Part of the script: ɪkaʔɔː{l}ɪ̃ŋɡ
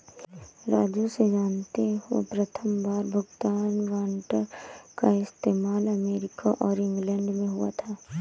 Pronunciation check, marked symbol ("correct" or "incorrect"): incorrect